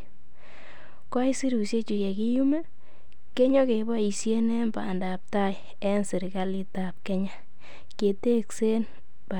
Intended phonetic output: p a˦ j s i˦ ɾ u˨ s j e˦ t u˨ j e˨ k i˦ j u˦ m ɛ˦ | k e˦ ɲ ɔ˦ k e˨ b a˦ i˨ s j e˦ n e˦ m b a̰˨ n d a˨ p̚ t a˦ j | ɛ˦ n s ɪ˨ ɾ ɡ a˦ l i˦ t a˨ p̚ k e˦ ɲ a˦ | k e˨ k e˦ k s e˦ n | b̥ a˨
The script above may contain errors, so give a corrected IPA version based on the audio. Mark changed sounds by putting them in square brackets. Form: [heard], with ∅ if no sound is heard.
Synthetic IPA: [k] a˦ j s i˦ ɾ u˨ s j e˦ [t͡ʃ] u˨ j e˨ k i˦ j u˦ m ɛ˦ | k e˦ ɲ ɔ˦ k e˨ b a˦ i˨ s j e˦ n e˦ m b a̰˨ n d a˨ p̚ t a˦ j | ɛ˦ n s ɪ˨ ɾ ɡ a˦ l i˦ t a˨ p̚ k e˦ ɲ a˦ | k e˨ [t] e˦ k s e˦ n | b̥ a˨